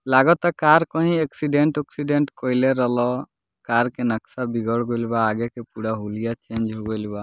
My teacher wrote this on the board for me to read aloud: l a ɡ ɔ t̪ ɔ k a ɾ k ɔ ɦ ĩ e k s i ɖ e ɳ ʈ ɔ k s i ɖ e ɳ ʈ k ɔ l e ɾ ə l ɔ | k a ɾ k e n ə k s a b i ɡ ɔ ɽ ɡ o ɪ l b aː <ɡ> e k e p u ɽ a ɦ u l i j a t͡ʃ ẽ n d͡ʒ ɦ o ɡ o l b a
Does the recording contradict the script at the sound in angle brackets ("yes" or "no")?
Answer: no